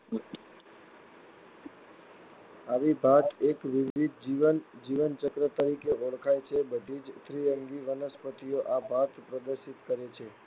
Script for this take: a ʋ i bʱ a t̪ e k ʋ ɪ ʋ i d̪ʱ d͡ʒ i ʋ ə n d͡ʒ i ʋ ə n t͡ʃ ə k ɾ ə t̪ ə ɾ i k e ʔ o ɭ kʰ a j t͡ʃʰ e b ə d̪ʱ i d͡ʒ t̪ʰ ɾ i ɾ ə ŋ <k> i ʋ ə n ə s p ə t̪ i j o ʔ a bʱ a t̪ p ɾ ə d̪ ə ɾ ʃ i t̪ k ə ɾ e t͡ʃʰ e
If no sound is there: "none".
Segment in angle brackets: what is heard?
ɡ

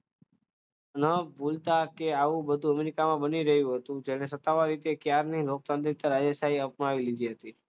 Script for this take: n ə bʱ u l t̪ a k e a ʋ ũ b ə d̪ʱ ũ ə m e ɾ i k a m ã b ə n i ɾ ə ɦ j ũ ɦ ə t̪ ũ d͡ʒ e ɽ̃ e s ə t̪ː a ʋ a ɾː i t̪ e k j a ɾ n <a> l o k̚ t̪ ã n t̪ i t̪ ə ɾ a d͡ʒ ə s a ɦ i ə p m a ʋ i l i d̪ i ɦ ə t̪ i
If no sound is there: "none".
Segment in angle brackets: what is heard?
i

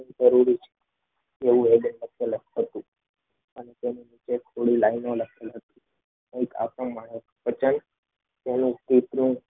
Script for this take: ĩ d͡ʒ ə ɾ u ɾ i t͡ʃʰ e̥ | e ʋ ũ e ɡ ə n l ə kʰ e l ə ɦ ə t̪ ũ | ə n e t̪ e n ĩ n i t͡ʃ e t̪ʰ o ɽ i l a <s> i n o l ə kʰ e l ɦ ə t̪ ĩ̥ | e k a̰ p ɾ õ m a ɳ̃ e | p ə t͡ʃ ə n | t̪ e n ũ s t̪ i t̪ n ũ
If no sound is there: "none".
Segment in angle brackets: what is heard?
none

